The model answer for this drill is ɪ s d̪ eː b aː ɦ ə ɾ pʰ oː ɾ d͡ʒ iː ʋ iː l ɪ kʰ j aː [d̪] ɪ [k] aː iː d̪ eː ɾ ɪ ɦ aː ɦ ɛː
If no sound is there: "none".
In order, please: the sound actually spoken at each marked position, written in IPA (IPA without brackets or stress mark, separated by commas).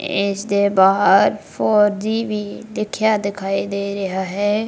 d̪, kʰ